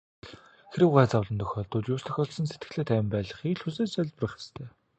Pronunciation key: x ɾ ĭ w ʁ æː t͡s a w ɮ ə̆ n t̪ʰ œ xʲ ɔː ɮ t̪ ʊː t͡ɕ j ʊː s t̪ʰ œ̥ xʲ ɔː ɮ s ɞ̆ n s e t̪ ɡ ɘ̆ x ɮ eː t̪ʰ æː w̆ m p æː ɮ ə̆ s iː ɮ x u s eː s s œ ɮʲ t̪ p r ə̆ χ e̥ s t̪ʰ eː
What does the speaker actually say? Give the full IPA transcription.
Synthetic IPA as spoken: x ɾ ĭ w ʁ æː t͡s a w ɮ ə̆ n t̪ʰ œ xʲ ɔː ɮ t̪ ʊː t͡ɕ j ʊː s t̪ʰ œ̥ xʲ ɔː ɮ s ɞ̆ n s e t̪ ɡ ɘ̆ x ɮ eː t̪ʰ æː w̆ m p æː ɮ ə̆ χ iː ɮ x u s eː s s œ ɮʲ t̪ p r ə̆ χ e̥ s t̪ʰ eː